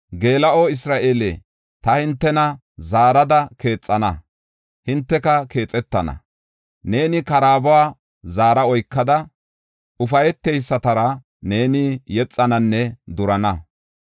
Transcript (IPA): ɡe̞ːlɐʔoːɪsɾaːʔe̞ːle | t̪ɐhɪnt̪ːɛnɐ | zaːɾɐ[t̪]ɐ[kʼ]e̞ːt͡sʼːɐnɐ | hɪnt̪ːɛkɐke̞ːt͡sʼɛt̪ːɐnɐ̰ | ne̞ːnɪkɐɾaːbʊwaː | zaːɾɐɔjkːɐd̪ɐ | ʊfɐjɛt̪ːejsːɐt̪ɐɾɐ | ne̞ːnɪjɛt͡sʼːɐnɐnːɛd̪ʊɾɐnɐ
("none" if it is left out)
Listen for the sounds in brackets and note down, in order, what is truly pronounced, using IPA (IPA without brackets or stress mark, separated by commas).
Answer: d̪, k